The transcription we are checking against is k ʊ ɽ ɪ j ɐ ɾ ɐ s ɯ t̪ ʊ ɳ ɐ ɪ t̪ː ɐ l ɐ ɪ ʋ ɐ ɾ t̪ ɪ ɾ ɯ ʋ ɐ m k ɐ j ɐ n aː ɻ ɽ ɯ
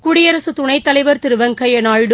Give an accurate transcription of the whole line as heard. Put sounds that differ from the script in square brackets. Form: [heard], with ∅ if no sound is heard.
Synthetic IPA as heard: k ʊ ɽ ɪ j ɐ ɾ ɐ s ɯ t̪ ʊ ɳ ɐ ɪ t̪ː ɐ l ɐ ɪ ʋ ɐ ɾ t̪ ɪ ɾ ɯ ʋ ɐ [ŋ] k ɐ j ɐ n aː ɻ ɽ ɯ